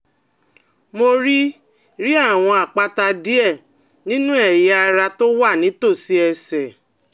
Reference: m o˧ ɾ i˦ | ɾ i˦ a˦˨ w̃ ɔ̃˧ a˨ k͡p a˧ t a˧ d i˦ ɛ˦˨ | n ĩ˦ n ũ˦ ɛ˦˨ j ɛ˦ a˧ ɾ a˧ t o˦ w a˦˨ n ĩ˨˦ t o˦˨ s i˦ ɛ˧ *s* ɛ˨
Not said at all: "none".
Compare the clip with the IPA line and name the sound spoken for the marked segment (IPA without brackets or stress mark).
s